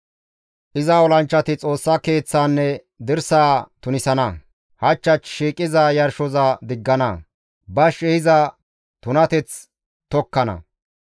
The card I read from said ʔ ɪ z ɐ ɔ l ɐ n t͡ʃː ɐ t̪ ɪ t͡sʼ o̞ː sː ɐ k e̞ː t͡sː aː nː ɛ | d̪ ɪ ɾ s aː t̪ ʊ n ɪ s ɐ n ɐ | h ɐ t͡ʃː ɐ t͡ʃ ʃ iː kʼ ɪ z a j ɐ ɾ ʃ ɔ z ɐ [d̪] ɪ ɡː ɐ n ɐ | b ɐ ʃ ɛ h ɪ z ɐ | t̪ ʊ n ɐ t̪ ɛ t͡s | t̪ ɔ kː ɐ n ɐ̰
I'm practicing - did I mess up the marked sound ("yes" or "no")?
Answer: no